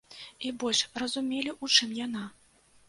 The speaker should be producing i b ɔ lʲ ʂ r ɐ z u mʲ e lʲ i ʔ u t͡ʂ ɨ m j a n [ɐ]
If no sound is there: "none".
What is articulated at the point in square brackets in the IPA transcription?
a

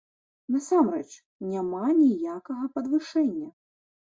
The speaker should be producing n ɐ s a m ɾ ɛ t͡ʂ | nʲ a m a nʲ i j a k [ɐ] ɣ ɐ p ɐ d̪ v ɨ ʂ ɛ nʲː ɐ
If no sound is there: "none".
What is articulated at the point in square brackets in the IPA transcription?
ɐ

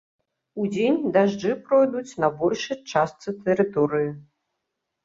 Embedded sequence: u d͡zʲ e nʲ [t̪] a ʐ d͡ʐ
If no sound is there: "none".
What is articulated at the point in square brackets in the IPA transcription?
d̪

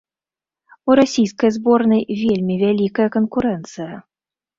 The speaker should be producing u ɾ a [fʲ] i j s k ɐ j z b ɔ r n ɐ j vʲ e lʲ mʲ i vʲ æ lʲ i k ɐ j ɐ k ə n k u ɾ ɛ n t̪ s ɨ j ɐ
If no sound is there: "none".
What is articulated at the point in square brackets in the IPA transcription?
sʲ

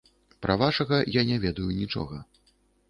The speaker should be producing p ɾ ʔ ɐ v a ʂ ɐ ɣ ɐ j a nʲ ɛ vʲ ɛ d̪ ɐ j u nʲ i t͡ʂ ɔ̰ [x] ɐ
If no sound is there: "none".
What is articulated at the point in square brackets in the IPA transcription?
ɣ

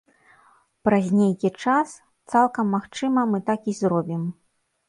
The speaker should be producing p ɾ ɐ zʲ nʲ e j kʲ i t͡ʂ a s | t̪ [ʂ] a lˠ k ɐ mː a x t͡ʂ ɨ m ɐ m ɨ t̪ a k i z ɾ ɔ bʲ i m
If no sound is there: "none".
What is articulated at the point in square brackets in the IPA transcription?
s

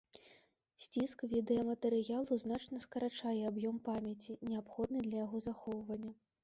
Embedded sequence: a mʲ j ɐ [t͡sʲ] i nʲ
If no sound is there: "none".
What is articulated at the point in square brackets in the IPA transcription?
t͡sʲ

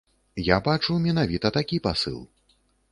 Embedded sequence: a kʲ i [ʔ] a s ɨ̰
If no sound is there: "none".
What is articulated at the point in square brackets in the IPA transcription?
p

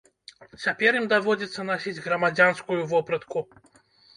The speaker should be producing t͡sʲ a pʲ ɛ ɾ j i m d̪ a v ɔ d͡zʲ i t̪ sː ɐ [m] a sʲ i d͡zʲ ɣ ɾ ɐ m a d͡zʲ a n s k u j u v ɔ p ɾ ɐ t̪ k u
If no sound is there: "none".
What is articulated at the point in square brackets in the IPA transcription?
n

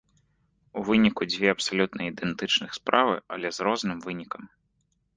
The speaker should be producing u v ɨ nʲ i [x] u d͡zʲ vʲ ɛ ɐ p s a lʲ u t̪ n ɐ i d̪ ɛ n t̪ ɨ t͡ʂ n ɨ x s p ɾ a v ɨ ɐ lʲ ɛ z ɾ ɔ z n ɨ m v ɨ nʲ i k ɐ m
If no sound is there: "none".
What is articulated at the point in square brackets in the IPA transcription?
k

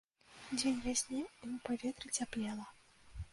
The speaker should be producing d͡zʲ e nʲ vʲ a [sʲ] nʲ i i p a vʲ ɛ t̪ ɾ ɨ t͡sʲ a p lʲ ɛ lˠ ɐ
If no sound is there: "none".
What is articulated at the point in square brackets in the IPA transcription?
sʲ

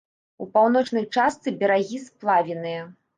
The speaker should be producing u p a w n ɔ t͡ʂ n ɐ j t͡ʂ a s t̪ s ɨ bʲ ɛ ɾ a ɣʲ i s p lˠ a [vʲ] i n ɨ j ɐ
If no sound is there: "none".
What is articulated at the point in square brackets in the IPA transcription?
vʲ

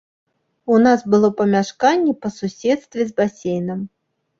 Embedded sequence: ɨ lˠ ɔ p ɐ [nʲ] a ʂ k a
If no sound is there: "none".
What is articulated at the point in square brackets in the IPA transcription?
mʲ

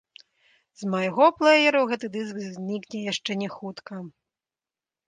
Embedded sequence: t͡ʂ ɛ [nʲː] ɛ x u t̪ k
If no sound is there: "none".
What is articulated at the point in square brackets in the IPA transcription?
nʲ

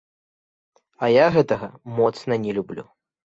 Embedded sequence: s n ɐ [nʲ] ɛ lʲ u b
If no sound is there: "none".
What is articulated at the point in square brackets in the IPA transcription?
nʲ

